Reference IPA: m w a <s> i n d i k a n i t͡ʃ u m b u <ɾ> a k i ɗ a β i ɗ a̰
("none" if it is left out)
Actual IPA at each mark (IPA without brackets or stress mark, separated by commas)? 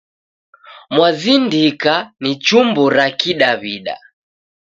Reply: z, ɾ